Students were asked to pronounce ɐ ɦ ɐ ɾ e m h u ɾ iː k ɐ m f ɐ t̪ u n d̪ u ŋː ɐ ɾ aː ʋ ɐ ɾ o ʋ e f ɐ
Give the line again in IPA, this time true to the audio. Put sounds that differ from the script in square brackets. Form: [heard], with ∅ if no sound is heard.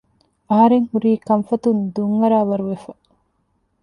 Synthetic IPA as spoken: ɐ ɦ ɐ ɾ e [ŋ] h u ɾ iː k ɐ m f ɐ t̪ u n d̪ u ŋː ɐ ɾ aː ʋ ɐ ɾ [u] ʋ e f ɐ